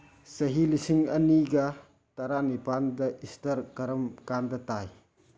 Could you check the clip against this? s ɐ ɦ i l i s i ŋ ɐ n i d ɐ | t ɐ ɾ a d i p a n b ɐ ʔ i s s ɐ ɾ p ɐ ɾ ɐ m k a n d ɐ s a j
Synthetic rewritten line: s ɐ ɦ i l i s i ŋ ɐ n i ɡ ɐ | t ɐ ɾ a n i p a n d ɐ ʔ i s t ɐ ɾ k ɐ ɾ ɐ m k a n d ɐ t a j